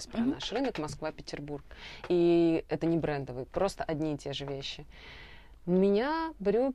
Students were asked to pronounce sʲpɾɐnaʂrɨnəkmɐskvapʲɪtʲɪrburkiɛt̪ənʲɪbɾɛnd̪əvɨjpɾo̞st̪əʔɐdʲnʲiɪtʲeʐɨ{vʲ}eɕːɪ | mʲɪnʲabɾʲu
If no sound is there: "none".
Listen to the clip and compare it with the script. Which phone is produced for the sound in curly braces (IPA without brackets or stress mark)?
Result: vʲ